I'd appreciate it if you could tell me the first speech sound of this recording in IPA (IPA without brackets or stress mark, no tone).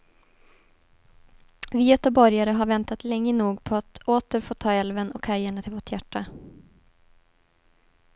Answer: v